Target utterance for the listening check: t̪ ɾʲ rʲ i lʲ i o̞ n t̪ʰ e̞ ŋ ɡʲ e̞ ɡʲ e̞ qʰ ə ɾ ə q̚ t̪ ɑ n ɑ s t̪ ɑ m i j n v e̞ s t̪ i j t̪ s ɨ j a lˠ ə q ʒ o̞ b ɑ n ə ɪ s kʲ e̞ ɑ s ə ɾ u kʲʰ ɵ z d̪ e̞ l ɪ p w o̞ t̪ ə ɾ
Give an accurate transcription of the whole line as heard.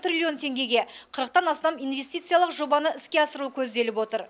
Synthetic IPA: t̪ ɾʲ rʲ i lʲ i o̞ n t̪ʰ e̞ ŋ ɡʲ e̞ ɡʲ e̞ qʰ ə ɾ ə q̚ t̪ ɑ n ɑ s t̪ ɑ m i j n v e̞ s t̪ i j t̪ s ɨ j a lˠ ə q ʒ o̞ b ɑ n ə ɪ s kʲ e̞ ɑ s ə ɾ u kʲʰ ɵ z d̪ e̞ l ɪ p w o̞ t̪ ə ɾ